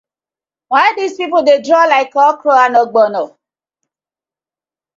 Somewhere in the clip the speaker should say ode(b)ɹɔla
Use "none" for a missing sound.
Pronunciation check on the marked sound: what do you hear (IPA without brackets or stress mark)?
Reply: d